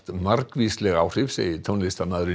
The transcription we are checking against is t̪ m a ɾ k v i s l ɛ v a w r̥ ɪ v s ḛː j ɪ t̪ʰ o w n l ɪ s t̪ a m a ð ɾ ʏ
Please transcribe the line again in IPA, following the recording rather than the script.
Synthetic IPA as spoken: t̪ m a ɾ k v i s l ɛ ɣ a w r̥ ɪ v s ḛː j ɪ t̪ʰ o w n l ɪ s t̪ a m a ð ɾ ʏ